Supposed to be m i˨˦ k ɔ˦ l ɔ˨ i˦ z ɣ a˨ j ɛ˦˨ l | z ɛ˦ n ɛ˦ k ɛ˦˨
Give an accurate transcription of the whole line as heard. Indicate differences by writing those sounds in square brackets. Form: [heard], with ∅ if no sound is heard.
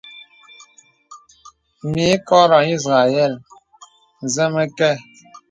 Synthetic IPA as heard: m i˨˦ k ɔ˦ [ɾ] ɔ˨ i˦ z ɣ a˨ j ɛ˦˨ l | z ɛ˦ [m] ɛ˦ k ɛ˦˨